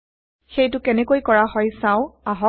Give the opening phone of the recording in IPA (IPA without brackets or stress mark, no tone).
x